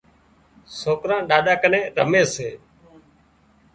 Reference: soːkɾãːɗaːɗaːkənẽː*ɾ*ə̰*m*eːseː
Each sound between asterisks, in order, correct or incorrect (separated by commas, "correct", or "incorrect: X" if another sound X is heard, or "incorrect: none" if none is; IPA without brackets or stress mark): correct, correct